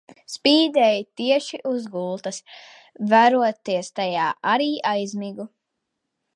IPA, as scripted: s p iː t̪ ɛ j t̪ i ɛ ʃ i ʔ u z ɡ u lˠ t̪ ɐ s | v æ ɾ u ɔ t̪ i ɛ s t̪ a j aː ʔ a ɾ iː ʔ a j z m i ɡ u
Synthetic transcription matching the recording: s p iː d̪ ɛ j t̪ i ɛ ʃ i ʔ u z ɡ u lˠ t̪ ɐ s | v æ ɾ u ɔ t̪ i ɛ s t̪ a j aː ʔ a ɾ iː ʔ a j z m i ɡ u

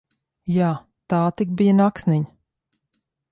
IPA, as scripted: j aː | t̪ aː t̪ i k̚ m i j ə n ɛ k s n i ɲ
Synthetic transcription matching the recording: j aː | t̪ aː t̪ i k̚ b i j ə n a k s n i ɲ

